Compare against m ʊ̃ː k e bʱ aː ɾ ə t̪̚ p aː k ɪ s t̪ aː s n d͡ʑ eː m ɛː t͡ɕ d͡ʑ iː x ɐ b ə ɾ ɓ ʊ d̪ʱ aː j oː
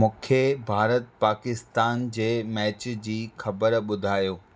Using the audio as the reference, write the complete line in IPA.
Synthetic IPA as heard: m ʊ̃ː kʰ e bʱ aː ɾ ə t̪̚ p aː k ɪ s t̪ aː n d͡ʑ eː m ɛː t͡ɕ d͡ʑ iː x ɐ b ə ɾ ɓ ʊ d̪ʱ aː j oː